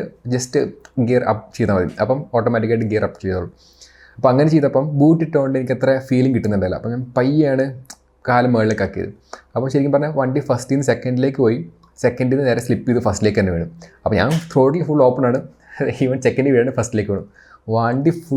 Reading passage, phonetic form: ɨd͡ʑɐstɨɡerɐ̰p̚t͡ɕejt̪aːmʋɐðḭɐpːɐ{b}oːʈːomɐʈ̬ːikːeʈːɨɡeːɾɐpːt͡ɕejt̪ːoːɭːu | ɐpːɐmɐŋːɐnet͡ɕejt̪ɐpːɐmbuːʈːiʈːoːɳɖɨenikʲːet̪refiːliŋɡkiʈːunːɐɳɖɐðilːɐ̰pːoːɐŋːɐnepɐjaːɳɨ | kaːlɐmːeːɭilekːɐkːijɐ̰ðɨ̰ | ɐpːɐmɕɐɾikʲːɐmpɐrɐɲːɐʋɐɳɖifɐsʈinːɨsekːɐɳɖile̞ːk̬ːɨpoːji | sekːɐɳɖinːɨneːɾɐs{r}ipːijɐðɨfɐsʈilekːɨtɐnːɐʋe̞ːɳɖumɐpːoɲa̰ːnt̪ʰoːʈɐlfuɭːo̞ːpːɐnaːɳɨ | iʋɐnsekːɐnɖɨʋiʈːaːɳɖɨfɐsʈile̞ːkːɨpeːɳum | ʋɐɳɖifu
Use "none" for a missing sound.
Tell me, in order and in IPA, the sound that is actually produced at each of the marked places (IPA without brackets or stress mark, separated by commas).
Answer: m, l